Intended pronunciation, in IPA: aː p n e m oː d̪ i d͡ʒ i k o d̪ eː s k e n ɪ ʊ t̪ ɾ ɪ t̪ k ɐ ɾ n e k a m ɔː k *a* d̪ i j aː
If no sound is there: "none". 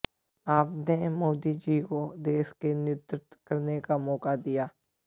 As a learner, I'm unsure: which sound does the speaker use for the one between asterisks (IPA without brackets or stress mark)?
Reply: a